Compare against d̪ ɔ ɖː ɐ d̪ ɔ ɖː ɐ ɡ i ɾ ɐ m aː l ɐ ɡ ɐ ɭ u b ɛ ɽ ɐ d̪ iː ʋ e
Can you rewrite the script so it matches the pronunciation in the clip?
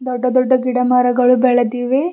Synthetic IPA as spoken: d̪ ɔ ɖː ɐ d̪ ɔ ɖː ɐ ɡ i ɽ ɐ m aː ɾ ɐ ɡ ɐ ɭ u b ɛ ɭ ɐ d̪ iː ʋ e

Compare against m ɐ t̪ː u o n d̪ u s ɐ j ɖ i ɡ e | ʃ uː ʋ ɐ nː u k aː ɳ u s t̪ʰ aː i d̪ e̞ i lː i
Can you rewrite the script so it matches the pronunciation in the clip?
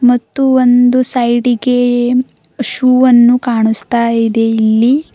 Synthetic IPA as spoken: m ɐ t̪ː u o n d̪ u s ɐ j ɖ i ɡ e | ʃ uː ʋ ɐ nː u k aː ɳ u s t̪ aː i d̪ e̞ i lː i

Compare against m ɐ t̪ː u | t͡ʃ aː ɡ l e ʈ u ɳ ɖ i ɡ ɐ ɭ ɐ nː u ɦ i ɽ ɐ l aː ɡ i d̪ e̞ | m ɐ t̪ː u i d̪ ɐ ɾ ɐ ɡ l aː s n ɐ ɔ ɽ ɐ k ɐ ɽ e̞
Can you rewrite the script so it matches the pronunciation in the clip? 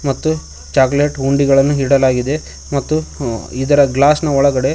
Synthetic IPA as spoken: m ɐ t̪ː u | t͡ʃ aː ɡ l e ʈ u ɳ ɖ i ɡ ɐ ɭ ɐ nː u ɦ i ɽ ɐ l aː ɡ i d̪ e̞ | m ɐ t̪ː u i d̪ ɐ ɾ ɐ ɡ l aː s n ɐ ɔ ɭ ɐ ɡ ɐ ɽ e̞

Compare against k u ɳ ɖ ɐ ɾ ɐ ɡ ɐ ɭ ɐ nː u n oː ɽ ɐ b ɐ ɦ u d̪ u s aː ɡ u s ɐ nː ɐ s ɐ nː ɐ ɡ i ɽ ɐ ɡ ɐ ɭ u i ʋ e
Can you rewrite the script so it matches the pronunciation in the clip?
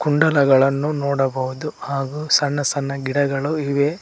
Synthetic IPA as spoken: k u ɳ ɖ ɐ l ɐ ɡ ɐ ɭ ɐ nː u n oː ɽ ɐ b ɐ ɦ u d̪ u h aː ɡ u s ɐ nː ɐ s ɐ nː ɐ ɡ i ɽ ɐ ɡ ɐ ɭ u i ʋ e

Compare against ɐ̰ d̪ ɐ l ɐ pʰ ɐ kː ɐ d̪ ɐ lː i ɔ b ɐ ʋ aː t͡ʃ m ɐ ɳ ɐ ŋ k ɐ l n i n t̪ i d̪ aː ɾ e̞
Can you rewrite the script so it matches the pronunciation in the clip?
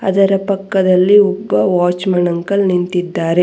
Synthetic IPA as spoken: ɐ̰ d̪ ɐ ɾ ɐ p ɐ kː ɐ d̪ ɐ lː i ɔ bː ɐ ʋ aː t͡ʃ m ɐ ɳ ɐ ŋ k ɐ l n i n t̪ i d̪ː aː ɾ e̞

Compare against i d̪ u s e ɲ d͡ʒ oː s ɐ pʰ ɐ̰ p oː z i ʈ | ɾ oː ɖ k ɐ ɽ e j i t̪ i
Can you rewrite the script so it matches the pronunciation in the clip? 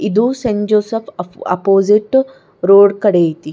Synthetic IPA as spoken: i d̪ u s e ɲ d͡ʒ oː s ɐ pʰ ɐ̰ p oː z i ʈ | ɾ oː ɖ k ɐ ɽ e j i t̪ i

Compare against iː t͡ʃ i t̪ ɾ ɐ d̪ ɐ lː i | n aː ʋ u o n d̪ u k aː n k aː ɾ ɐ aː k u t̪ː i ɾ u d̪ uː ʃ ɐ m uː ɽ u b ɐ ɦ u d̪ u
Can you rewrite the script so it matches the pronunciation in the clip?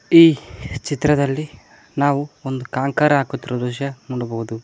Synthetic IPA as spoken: iː t͡ʃ i t̪ ɾ ɐ d̪ ɐ lː i | n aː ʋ u o n d̪ u k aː ŋ k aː ɾ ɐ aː k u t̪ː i ɾ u d̪ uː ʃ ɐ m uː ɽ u b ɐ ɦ u d̪ u

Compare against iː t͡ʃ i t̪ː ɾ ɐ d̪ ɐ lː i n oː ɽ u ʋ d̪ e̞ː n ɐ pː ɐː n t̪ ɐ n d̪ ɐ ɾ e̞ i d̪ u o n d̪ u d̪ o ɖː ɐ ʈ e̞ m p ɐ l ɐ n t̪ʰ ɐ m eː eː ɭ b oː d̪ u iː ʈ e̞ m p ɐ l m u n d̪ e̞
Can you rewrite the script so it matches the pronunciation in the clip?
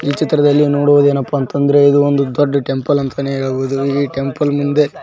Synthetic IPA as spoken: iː t͡ʃ i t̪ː ɾ ɐ d̪ ɐ lː i n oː ɽ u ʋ d̪ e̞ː n ɐ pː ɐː n t̪ ɐ n d̪ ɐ ɾ e̞ i d̪ u o n d̪ u d̪ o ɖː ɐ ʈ e̞ m p ɐ l ɐ n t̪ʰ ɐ n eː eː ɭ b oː d̪ u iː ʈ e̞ m p ɐ l m u n d̪ e̞

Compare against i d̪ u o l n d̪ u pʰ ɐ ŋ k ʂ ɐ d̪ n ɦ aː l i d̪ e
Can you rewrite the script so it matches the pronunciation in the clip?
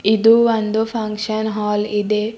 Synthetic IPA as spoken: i d̪ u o n d̪ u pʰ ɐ ŋ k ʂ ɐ n ɦ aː l i d̪ e

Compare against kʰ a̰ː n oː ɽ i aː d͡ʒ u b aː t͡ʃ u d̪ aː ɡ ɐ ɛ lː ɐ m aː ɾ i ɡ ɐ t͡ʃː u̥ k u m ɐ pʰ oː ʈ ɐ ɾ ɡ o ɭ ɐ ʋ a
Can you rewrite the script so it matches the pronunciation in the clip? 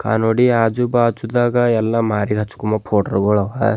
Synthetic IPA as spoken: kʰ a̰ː n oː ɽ i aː d͡ʒ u b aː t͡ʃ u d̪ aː ɡ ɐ ɛ lː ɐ m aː ɾ i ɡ ɐ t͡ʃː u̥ k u m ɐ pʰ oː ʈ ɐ ɾ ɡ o ɭ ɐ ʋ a

